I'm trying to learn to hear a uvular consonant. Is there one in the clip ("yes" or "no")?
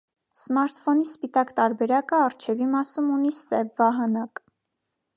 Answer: no